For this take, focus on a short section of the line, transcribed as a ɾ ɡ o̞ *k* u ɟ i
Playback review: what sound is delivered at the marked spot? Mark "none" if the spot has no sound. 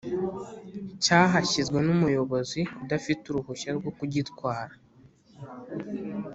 k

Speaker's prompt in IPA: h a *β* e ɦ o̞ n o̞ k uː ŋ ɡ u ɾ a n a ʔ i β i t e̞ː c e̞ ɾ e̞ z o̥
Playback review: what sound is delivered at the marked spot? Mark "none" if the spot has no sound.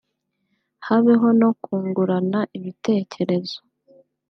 β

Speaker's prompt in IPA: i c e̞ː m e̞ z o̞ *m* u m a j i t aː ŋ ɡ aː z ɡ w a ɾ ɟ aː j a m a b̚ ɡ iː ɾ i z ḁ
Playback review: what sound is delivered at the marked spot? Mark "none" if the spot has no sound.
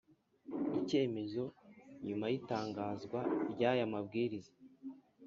ɲ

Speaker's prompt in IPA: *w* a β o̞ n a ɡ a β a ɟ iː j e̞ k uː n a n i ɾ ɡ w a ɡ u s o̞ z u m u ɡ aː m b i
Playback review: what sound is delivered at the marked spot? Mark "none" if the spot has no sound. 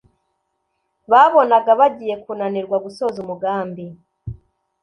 β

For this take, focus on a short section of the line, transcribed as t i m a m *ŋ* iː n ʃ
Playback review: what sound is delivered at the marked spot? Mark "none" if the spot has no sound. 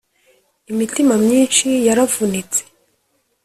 ɲ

